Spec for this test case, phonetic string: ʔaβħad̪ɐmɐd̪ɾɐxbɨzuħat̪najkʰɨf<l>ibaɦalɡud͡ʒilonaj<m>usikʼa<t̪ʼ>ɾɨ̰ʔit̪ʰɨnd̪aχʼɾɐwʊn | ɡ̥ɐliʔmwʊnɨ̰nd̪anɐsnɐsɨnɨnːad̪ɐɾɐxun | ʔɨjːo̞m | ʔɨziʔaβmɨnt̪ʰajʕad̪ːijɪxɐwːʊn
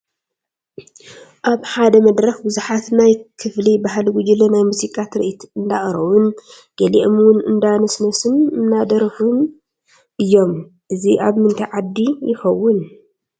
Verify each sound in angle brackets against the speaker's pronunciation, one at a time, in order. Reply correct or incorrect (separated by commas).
correct, correct, incorrect